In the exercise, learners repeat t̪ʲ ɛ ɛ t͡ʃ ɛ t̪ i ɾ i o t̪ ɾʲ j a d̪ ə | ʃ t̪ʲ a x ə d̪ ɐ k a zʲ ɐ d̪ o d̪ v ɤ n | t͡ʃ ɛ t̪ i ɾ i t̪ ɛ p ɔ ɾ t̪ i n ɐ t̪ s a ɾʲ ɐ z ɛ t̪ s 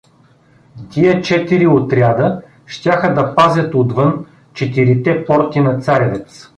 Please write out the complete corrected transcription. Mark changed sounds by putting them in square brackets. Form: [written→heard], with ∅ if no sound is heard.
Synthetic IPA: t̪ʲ [ɛ→i] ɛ t͡ʃ ɛ t̪ i ɾ i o t̪ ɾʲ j a d̪ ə | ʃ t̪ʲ a x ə d̪ ɐ [k→p] a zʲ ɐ [d̪→t̪] o d̪ v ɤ n | t͡ʃ ɛ t̪ i ɾ i t̪ ɛ p ɔ ɾ t̪ i n ɐ t̪ s a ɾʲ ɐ [z→v] ɛ t̪ s